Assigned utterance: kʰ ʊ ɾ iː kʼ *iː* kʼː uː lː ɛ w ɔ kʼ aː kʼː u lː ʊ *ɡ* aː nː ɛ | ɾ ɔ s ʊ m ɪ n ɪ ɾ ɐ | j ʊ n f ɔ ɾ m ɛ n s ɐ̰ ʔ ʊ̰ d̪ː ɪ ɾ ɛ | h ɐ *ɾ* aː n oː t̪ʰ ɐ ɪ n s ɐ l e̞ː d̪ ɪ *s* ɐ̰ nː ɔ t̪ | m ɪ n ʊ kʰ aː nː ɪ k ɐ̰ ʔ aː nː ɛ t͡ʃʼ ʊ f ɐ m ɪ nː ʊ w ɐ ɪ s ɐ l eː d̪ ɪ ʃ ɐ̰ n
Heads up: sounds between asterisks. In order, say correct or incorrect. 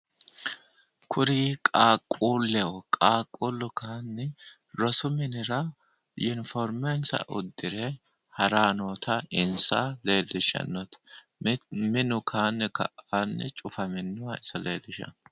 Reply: incorrect, incorrect, correct, incorrect

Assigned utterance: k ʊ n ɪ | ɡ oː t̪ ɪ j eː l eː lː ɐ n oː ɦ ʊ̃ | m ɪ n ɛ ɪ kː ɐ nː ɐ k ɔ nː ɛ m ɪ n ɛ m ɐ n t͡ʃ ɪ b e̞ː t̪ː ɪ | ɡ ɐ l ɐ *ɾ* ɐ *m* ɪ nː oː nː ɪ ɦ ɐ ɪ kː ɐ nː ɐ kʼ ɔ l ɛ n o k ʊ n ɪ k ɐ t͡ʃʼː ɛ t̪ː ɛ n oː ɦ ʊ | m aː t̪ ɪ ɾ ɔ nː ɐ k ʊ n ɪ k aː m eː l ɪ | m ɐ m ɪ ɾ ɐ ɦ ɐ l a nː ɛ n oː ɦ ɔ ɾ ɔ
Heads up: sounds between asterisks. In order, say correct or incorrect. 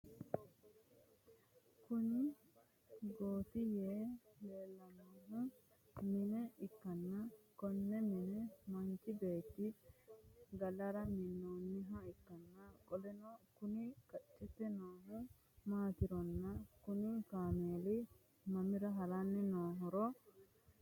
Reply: correct, correct

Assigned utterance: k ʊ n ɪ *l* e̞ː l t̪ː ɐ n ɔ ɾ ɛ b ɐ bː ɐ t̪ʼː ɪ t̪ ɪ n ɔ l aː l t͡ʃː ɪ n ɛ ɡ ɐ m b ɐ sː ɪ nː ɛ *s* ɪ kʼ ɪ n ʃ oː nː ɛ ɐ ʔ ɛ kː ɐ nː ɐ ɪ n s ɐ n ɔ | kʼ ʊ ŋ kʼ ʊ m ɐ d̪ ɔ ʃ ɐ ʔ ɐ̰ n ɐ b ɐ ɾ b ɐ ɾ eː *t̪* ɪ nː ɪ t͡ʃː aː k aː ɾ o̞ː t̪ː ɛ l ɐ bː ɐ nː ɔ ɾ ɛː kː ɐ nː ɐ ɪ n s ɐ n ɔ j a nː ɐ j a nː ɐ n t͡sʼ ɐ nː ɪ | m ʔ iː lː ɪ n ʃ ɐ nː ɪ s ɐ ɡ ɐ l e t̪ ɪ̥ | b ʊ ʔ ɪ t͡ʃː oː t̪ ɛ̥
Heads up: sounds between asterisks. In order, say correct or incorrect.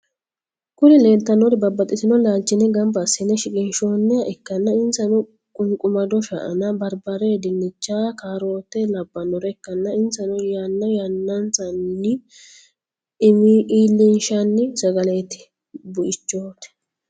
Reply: correct, incorrect, incorrect

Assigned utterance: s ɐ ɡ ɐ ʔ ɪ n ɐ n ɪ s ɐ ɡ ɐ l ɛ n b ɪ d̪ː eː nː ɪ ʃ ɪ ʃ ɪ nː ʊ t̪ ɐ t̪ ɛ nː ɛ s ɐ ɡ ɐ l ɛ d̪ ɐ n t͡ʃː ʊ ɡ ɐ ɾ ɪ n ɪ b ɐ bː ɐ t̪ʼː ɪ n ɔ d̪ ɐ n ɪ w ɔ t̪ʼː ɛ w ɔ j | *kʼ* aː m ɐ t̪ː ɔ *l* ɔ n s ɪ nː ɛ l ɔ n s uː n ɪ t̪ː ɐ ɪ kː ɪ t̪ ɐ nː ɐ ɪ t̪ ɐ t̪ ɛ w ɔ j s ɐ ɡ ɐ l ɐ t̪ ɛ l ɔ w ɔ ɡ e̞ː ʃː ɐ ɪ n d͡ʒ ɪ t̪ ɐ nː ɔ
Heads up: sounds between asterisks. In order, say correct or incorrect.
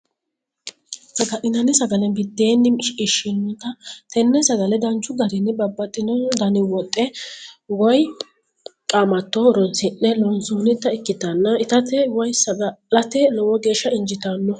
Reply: correct, incorrect

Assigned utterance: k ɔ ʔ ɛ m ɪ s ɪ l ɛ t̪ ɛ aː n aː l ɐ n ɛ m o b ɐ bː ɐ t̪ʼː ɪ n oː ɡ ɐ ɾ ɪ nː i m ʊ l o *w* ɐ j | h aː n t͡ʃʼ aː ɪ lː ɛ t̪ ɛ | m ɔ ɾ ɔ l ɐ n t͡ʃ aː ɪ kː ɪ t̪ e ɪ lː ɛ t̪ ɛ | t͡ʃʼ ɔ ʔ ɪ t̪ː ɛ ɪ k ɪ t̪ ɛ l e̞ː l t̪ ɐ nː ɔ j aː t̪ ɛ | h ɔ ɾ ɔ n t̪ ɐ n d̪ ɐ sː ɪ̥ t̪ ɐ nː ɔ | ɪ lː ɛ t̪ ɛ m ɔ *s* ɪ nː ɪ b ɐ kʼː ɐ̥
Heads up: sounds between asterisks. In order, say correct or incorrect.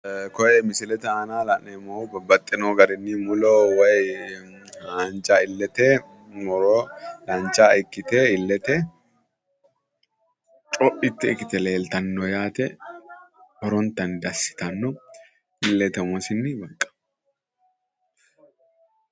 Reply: correct, correct

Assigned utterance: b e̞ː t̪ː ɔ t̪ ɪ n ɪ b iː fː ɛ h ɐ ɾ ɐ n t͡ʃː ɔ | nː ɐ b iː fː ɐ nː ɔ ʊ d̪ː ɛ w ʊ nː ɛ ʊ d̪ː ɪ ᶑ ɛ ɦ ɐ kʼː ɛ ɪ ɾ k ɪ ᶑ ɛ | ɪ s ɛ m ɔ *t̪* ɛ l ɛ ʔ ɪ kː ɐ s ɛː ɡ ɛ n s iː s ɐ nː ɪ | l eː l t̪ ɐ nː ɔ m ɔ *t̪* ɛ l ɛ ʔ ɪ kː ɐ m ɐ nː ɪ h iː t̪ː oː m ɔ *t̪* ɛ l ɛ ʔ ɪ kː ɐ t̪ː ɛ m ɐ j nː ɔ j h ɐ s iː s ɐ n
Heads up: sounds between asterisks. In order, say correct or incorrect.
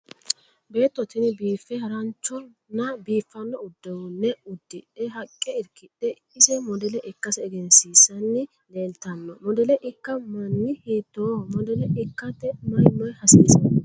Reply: incorrect, incorrect, incorrect

